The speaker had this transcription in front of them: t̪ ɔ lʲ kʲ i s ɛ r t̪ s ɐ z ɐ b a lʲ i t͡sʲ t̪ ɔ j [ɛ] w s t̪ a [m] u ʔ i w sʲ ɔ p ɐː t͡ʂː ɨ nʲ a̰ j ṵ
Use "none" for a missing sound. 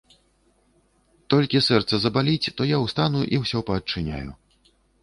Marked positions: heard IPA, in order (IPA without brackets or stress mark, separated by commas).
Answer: a, n